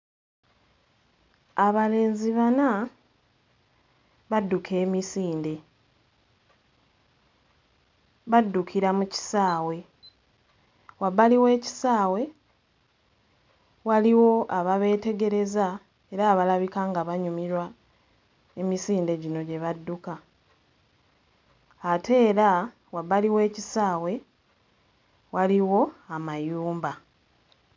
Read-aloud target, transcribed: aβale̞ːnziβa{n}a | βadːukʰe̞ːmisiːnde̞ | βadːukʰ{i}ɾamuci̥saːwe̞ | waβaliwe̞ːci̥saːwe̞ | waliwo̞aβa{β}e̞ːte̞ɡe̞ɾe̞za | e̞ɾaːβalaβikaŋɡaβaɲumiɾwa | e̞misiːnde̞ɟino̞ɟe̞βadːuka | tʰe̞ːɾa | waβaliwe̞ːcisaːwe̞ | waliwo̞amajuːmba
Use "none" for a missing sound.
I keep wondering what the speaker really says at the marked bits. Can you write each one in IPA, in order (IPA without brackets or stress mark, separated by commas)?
n, i, β